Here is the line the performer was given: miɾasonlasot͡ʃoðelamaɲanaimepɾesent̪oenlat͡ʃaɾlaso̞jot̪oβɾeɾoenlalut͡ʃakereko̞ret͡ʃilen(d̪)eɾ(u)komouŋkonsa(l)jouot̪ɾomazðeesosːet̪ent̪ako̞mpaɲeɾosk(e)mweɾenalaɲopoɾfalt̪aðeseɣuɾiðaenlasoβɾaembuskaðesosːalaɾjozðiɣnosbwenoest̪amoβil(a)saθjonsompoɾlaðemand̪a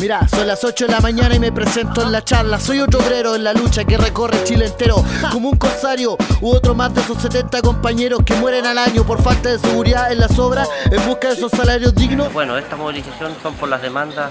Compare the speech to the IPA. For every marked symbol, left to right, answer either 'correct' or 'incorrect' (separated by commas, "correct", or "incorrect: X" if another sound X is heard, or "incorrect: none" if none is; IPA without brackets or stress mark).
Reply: incorrect: t̪, incorrect: o, incorrect: ɾ, correct, incorrect: i